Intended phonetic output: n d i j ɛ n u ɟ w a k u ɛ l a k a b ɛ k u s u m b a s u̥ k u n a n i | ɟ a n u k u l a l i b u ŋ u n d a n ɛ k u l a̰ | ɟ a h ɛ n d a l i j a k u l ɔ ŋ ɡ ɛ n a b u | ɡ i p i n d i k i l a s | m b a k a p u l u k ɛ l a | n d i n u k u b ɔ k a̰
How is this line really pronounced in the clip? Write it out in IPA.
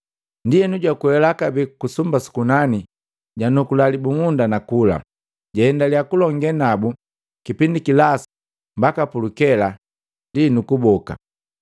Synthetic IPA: n d i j ɛ n u ɟ w a k u ɛ l a k a b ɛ k u s u m b a s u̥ k u n a n i | ɟ a n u k u l a l i b u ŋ u n d a n a k u l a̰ | ɟ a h ɛ n d a l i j a k u l ɔ ŋ ɡ ɛ n a b u | k i p i n d i k i l a s | m b a k a p u l u k ɛ l a | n d i n u k u b ɔ k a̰